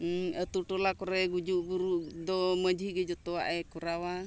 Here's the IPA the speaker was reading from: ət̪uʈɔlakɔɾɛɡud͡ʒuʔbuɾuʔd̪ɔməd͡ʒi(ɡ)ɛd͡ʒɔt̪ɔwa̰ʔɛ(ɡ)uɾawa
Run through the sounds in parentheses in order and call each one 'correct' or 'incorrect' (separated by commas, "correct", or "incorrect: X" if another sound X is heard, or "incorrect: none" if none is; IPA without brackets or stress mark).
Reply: correct, incorrect: k